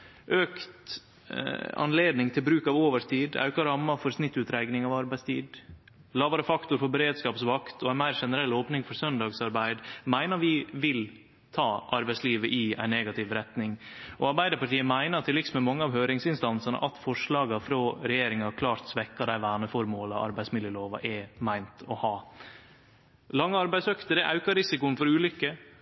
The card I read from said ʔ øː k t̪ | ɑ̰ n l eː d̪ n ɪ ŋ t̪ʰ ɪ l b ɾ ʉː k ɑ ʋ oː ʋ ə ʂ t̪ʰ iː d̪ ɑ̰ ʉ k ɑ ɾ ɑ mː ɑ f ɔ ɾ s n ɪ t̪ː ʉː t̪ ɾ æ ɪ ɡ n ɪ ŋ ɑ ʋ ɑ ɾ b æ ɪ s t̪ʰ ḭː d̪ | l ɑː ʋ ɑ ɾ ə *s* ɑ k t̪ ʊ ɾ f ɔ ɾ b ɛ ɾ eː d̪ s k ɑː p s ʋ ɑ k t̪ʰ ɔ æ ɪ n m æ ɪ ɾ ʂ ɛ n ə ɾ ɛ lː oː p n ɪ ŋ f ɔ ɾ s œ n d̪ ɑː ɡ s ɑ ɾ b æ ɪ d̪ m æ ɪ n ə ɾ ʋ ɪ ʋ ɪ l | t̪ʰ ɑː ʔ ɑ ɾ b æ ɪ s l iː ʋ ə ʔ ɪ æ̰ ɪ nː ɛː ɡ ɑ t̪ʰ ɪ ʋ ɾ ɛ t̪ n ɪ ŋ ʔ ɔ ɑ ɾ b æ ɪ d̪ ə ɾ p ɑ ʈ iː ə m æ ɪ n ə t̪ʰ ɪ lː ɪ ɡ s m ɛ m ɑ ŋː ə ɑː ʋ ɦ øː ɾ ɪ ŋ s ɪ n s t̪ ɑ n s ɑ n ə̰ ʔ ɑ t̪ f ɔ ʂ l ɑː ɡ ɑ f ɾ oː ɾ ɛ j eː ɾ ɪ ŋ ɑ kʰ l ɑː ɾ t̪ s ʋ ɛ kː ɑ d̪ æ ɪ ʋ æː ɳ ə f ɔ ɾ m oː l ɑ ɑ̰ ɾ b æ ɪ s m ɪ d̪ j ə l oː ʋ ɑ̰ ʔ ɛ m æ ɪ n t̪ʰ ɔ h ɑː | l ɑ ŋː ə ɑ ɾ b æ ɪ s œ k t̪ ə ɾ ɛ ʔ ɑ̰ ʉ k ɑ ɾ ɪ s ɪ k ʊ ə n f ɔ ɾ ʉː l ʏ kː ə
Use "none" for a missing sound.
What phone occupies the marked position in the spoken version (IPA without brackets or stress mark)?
f